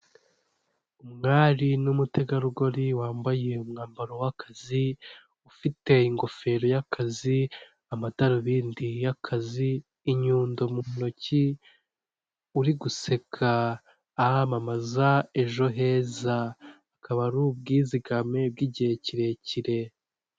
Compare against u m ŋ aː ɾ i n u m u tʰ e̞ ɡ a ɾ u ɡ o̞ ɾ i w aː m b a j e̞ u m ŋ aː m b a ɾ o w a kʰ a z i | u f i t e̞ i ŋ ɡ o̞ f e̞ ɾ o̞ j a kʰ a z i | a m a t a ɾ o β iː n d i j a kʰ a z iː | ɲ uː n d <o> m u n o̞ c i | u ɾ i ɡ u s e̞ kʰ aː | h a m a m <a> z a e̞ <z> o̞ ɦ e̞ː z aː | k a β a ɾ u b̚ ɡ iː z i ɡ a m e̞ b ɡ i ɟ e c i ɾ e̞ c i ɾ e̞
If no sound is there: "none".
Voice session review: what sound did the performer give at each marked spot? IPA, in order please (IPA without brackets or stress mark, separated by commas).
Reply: o, a, ʒ